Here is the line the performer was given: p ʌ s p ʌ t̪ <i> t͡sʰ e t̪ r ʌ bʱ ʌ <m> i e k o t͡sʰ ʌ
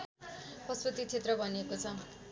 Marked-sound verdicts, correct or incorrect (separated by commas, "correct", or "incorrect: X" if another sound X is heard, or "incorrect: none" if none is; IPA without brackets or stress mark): correct, incorrect: n